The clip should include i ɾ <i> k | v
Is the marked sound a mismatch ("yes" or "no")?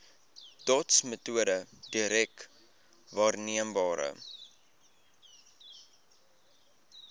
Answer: yes